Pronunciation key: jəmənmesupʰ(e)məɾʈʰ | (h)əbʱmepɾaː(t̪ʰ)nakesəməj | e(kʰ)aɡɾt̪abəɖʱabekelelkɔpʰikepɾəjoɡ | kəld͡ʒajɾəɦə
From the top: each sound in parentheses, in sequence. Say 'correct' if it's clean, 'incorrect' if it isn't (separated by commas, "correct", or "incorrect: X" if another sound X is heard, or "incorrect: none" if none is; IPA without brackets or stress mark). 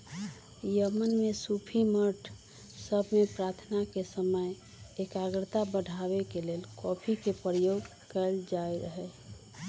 incorrect: i, incorrect: s, correct, incorrect: k